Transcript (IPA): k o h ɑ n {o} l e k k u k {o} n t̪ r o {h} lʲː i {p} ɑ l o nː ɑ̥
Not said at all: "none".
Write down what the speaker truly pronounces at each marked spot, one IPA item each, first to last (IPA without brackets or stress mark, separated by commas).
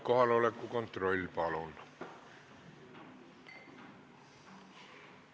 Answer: o, o, none, p